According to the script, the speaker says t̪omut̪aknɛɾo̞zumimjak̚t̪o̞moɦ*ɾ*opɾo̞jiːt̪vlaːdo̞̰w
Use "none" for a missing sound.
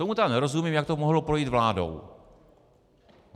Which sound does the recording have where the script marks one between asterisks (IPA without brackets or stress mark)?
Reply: l